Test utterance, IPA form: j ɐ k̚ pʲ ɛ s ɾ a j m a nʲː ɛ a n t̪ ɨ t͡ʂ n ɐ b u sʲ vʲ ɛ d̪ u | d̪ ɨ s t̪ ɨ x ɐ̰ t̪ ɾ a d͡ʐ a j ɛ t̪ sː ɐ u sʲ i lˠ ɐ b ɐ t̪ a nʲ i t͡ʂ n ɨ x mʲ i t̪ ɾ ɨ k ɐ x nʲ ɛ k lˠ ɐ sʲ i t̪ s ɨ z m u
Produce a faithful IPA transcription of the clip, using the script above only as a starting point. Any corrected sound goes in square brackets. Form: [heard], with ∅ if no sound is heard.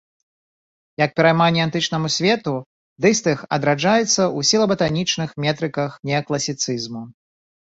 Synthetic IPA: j ɐ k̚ pʲ ɛ [∅] ɾ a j m a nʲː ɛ a n t̪ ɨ t͡ʂ n ɐ [m] u sʲ vʲ ɛ [t̪] u | d̪ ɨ s t̪ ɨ x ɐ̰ [d̪] ɾ a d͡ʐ a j ɛ t̪ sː ɐ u sʲ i lˠ ɐ b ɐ t̪ a nʲ i t͡ʂ n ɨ x mʲ [ɛ] t̪ ɾ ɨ k ɐ x nʲ ɛ k lˠ ɐ sʲ i t̪ s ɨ z m u